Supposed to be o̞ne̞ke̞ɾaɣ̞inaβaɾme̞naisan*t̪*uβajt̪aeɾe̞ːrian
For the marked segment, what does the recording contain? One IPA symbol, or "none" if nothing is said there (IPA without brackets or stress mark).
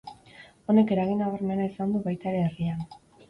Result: d̪